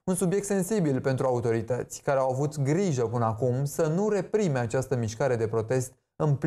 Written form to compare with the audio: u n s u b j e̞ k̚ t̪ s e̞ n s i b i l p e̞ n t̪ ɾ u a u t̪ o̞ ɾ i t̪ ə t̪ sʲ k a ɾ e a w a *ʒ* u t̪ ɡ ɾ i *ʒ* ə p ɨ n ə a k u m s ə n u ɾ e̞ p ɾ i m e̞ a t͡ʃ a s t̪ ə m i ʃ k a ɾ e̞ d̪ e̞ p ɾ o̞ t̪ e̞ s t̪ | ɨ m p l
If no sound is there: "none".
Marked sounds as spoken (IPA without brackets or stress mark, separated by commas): v, ʒ